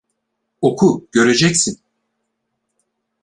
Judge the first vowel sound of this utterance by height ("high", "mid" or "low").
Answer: mid